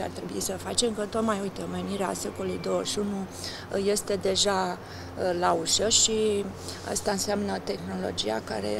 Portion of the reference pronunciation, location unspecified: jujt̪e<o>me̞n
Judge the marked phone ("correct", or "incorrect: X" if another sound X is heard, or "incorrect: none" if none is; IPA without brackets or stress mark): correct